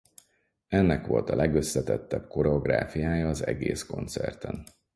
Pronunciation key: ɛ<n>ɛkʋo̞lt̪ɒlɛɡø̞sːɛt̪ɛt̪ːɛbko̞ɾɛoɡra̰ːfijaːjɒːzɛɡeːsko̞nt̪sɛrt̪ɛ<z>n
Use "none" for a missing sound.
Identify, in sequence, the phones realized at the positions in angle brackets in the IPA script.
nː, none

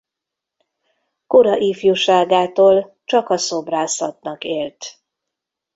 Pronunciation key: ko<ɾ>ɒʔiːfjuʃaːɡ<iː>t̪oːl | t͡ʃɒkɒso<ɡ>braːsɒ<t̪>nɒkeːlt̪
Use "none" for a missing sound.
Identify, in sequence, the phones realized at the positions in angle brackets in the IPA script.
ɾ, aː, none, t̪

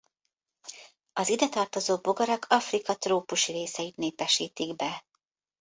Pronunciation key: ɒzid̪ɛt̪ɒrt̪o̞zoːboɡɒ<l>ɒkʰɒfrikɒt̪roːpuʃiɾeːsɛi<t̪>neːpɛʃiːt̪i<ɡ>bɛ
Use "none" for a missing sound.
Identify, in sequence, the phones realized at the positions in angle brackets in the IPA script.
ɾ, t̪, ɡ

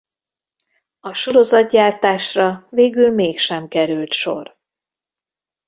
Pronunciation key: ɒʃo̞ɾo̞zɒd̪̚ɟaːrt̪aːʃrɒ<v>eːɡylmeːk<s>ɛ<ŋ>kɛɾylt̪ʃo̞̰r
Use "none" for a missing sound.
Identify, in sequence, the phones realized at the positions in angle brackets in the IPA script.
v, ʃ, m

